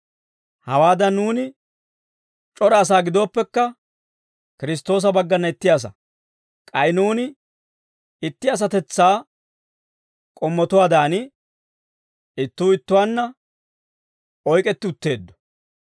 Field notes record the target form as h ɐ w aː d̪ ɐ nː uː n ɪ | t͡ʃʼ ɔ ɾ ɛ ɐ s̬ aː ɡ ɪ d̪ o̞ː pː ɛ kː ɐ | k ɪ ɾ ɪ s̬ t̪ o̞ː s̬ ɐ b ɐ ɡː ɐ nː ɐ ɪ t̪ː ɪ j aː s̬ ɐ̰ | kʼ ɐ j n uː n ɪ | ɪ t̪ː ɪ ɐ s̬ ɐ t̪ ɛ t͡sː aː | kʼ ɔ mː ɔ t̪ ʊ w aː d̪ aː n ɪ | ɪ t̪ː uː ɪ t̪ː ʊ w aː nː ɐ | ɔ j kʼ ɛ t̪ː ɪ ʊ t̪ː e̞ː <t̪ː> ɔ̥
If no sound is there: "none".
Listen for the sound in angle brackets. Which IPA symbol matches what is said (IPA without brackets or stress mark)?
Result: d̪ː